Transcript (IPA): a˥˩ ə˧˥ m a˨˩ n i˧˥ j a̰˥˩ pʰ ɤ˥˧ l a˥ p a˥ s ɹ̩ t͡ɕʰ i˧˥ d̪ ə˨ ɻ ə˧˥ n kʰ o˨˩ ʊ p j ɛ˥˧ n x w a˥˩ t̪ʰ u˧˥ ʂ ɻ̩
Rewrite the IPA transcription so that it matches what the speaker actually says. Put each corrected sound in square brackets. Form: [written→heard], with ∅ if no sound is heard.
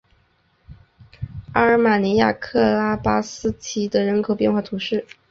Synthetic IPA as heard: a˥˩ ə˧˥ m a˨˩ n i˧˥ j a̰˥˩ [pʰ→kʰ] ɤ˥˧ l a˥ p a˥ s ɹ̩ t͡ɕʰ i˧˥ d̪ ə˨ ɻ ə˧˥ n kʰ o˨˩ ʊ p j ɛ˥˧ n x w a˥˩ t̪ʰ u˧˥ ʂ ɻ̩